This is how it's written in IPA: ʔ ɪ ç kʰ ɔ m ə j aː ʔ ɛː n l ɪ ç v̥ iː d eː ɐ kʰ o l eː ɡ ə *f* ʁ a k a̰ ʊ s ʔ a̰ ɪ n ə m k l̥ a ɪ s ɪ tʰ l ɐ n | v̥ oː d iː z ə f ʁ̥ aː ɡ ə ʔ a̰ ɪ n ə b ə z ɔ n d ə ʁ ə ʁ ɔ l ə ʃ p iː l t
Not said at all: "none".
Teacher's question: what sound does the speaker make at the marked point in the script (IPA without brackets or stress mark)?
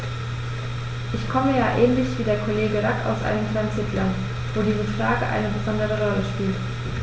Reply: none